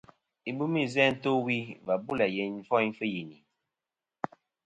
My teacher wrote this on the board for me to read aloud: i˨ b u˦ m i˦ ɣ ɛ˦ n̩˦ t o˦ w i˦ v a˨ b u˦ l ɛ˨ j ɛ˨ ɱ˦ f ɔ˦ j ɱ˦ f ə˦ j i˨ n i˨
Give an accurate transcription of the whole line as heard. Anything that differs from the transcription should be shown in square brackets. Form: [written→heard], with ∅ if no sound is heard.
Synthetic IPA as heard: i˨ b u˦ m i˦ [ɣ→z] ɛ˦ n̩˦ t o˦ w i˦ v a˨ b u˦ l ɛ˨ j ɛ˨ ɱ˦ f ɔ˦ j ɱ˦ f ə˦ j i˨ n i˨